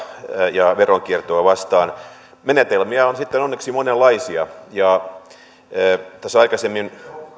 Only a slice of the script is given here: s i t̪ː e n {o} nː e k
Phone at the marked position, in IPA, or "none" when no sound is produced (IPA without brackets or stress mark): o